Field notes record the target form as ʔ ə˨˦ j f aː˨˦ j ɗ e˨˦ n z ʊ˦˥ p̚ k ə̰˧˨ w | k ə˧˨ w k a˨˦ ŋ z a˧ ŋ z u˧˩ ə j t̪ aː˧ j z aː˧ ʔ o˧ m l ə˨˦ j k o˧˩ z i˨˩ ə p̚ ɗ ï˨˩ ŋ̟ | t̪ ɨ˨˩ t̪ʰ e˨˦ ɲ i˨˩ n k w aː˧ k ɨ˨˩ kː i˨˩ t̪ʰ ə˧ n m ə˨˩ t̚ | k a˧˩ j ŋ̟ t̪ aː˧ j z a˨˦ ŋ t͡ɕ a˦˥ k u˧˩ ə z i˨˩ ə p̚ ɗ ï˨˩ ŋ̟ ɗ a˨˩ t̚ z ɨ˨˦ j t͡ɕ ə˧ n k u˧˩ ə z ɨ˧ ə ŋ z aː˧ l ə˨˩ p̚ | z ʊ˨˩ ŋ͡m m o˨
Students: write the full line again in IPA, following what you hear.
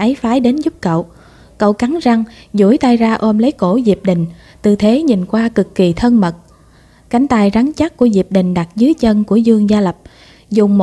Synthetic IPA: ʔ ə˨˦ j f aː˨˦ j ɗ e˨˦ n z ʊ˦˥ p̚ k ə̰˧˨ w | k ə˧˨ w k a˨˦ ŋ z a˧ ŋ z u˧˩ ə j t̪ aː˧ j z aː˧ ʔ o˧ m l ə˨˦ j k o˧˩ z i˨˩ ə p̚ ɗ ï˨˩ ŋ̟ | t̪ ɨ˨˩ t̪ʰ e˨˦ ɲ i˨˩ n k w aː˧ k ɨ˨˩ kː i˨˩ t̪ʰ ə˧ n m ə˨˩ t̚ | k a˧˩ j ŋ̟ t̪ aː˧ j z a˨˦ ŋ t͡ɕ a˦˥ k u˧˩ ə z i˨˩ ə p̚ ɗ ï˨˩ ŋ̟ ɗ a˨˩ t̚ z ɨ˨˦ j t͡ɕ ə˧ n k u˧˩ ə z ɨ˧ ə ŋ z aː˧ l ə˨˩ p̚ | z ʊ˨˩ ŋ͡m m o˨

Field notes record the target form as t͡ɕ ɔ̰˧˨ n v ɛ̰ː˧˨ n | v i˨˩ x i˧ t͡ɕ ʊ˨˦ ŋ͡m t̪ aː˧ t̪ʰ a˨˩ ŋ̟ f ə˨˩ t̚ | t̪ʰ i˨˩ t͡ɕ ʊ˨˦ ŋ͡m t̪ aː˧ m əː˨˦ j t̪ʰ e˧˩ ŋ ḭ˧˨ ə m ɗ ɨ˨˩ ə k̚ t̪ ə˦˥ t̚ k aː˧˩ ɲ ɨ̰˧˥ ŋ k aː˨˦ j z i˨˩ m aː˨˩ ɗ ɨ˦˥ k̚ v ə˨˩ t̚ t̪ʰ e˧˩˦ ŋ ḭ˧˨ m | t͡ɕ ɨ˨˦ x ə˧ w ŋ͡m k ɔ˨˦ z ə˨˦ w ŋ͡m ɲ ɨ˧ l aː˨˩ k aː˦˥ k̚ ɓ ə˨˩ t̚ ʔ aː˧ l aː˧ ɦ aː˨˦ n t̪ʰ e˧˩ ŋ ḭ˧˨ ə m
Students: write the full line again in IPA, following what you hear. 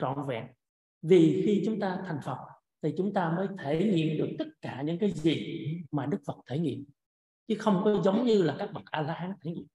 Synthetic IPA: t͡ɕ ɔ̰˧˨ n v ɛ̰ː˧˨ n | v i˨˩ x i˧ t͡ɕ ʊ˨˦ ŋ͡m t̪ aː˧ t̪ʰ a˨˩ ŋ̟ f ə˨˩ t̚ | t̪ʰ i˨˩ t͡ɕ ʊ˨˦ ŋ͡m t̪ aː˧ m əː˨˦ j t̪ʰ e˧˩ ŋ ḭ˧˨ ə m ɗ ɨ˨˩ ə k̚ t̪ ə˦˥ t̚ k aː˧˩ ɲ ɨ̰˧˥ ŋ k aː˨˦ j z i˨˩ m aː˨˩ ɗ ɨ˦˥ k̚ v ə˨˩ t̚ t̪ʰ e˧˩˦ ŋ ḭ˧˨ m | t͡ɕ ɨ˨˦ x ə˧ w ŋ͡m k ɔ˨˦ z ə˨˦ w ŋ͡m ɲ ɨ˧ l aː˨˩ k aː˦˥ k̚ ɓ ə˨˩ t̚ ʔ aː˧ l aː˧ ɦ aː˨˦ n t̪ʰ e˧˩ ŋ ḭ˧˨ ə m

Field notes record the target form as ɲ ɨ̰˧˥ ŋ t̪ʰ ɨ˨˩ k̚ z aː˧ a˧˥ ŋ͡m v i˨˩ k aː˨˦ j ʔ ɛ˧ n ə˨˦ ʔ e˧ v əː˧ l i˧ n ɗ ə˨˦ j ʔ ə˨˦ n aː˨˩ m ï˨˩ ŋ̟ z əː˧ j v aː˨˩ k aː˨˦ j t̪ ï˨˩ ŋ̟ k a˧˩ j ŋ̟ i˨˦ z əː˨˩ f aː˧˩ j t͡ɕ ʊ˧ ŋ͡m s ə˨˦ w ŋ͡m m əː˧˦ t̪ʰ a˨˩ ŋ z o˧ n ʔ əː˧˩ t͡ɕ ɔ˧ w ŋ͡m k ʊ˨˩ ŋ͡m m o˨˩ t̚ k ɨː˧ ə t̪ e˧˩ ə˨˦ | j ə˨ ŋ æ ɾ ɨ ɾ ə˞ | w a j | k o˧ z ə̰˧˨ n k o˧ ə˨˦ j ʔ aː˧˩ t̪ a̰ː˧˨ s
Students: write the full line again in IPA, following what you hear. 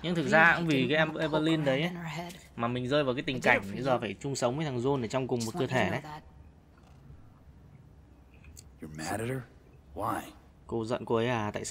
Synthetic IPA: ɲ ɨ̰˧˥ ŋ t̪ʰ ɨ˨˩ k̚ z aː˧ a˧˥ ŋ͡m v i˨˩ k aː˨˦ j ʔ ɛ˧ m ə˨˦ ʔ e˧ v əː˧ l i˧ n ɗ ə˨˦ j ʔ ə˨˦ m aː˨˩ m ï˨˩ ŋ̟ z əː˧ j v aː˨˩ k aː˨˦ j t̪ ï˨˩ ŋ̟ k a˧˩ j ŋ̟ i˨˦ z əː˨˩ f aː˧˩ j t͡ɕ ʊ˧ ŋ͡m s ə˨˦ w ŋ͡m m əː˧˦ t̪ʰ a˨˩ ŋ z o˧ n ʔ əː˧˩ t͡ɕ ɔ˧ w ŋ͡m k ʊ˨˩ ŋ͡m m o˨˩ t̚ k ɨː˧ ə t̪ʰ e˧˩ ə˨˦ | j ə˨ m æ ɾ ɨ ɾ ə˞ | w a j | k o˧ z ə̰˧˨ n k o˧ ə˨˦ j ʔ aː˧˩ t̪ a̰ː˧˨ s

